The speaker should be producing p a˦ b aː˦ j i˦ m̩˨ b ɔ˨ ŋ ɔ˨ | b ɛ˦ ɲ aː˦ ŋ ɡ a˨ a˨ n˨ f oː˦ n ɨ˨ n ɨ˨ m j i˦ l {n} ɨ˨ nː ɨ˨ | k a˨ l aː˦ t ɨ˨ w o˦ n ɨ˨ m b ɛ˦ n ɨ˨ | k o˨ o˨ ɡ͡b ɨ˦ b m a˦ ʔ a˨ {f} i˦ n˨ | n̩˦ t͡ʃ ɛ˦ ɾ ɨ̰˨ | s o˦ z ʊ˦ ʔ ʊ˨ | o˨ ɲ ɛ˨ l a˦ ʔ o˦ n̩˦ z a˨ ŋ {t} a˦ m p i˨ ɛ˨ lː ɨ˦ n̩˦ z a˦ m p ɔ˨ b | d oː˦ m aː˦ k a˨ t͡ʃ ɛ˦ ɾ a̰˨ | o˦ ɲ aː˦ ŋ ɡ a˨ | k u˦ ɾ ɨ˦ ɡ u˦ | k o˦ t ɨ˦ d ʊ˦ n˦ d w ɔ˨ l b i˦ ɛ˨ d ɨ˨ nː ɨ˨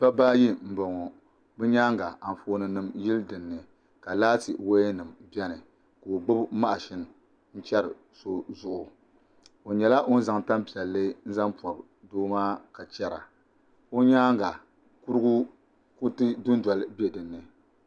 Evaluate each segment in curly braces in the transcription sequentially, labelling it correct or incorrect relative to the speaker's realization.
incorrect: d, incorrect: ʃ, correct

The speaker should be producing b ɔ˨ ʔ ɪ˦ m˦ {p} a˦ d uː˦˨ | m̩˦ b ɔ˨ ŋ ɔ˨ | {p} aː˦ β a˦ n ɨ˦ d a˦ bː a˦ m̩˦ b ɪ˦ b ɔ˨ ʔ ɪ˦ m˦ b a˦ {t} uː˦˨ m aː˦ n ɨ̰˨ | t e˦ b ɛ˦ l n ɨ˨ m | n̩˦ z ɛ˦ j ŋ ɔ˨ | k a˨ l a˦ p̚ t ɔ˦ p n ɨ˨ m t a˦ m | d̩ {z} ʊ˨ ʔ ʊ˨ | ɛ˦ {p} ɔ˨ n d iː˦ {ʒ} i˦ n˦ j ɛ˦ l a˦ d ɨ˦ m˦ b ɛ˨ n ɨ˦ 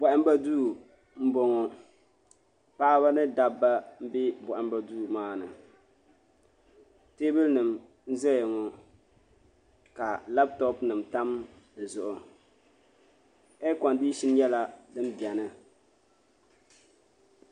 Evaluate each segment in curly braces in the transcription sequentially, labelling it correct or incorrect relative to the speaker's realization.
incorrect: b, correct, incorrect: d, correct, incorrect: k, incorrect: ʃ

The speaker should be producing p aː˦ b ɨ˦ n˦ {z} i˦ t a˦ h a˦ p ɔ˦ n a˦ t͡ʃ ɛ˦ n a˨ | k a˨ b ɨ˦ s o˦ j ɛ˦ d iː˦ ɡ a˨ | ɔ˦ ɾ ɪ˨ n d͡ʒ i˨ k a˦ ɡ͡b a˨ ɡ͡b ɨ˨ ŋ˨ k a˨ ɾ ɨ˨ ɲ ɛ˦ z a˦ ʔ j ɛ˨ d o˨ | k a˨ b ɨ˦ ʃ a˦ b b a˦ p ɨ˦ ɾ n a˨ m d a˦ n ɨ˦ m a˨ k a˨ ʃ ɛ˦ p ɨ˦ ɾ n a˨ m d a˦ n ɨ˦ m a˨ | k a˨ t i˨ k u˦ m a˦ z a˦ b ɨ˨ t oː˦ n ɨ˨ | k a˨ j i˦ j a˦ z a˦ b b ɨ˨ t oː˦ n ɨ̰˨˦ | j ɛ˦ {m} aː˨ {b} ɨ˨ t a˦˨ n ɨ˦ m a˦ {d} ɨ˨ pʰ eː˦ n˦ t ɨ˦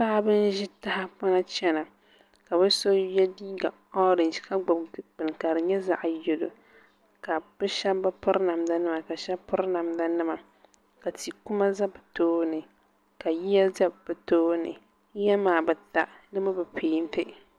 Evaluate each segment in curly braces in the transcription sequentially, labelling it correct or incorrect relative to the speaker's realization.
incorrect: ʒ, correct, correct, incorrect: b

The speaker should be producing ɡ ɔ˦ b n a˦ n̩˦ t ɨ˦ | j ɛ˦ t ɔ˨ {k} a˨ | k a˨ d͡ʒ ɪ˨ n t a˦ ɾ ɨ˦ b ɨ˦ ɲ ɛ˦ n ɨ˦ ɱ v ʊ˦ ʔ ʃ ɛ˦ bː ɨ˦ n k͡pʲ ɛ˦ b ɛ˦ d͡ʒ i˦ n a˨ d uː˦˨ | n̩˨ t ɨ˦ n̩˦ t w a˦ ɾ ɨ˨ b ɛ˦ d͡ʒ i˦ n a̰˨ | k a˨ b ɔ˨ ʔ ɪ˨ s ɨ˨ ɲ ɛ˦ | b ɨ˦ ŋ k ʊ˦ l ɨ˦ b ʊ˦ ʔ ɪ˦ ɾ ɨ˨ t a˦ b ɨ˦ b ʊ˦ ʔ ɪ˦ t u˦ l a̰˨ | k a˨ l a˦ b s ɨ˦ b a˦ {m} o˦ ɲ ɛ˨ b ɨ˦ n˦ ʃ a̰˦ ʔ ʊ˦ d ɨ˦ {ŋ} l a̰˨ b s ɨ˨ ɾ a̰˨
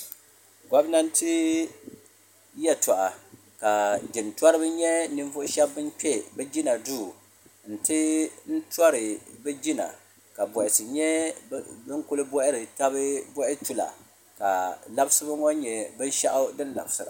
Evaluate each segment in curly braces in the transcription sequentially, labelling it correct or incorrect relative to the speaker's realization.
incorrect: ʔ, incorrect: ŋ, incorrect: n

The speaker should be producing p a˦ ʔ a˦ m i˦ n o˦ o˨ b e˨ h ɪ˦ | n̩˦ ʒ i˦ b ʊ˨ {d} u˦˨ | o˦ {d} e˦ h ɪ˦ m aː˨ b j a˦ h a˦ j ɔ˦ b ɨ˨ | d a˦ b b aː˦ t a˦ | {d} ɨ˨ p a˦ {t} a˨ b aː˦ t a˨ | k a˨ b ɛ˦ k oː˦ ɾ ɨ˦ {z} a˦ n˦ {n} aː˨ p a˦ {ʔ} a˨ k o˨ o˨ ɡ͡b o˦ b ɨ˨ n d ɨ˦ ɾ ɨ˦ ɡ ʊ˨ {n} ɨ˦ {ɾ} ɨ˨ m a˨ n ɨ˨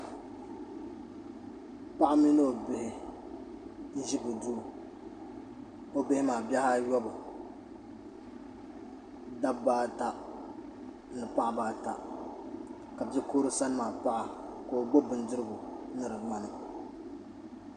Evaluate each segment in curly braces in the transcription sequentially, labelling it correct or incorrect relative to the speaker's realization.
correct, incorrect: b, incorrect: n, incorrect: ʔ, incorrect: s, incorrect: m, correct, correct, correct

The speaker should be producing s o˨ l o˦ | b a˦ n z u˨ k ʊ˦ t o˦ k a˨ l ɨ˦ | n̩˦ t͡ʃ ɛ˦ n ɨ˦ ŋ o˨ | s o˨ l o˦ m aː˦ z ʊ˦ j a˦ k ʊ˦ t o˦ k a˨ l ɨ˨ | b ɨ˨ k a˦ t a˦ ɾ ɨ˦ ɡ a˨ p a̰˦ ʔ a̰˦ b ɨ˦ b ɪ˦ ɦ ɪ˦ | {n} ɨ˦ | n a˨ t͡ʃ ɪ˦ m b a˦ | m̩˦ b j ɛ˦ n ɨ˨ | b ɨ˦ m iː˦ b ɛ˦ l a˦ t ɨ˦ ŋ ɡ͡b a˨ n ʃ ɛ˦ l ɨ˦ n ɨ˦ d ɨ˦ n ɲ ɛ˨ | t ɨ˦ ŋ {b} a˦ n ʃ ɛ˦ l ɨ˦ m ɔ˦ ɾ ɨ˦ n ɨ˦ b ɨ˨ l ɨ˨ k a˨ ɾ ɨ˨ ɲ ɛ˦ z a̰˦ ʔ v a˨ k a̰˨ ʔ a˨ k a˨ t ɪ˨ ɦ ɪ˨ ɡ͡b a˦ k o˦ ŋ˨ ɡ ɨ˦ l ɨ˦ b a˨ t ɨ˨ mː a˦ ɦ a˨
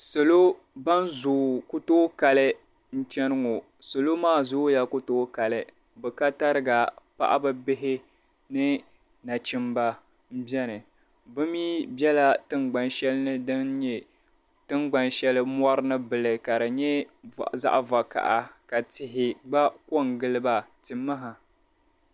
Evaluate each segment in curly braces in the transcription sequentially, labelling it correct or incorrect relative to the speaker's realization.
correct, incorrect: ɡ͡b

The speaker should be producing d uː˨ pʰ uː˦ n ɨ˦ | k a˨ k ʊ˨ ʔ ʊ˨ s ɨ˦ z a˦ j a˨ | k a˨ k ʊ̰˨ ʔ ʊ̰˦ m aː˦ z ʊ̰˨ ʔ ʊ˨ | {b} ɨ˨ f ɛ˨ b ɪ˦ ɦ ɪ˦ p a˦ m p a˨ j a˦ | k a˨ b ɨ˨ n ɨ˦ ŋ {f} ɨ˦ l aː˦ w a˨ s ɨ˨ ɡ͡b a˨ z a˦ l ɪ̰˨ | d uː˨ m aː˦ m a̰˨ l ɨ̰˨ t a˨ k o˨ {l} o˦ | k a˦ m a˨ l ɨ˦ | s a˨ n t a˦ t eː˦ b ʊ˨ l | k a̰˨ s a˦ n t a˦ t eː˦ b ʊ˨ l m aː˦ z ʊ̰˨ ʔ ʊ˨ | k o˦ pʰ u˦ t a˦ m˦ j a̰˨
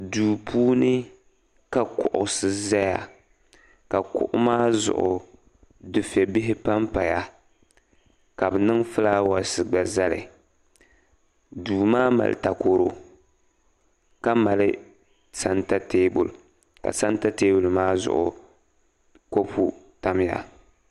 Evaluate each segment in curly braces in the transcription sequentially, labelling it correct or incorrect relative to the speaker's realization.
incorrect: d, correct, incorrect: ɾ

